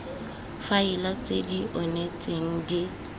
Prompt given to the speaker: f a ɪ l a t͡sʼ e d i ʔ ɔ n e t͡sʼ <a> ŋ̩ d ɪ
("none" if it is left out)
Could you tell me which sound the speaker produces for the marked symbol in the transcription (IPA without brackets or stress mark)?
e